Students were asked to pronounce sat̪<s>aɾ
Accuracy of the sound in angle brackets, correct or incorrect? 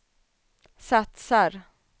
correct